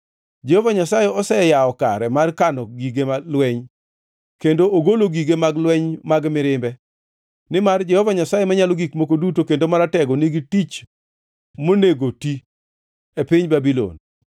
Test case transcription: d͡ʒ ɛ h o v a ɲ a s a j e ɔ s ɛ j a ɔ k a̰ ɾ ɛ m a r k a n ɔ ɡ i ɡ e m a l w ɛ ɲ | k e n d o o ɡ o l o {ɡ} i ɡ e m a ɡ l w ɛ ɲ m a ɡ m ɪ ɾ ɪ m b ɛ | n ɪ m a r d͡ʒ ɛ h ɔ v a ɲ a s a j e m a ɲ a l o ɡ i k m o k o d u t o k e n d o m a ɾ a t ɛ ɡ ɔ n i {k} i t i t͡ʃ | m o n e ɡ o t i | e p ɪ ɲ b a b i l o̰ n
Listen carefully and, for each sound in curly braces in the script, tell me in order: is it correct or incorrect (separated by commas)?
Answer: correct, incorrect